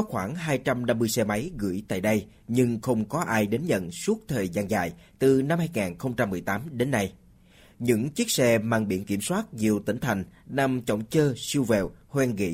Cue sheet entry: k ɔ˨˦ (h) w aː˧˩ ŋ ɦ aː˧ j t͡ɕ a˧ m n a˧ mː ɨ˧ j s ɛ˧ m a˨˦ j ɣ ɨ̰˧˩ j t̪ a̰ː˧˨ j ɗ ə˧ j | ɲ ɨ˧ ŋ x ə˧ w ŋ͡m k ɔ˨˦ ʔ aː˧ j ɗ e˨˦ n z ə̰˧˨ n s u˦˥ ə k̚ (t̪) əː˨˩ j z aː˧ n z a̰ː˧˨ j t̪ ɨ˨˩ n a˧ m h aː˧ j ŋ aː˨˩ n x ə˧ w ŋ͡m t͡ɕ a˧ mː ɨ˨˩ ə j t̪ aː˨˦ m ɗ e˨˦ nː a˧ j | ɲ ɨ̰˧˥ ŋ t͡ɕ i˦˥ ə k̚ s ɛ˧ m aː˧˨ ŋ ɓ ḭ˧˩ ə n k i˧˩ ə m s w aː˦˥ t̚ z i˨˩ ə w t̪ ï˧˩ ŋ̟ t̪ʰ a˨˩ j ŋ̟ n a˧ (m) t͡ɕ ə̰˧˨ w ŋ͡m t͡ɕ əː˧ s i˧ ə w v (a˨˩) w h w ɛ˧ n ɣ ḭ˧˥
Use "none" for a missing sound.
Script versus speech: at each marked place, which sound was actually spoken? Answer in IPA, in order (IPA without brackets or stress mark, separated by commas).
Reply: x, t̪ʰ, m, ɛ˨˩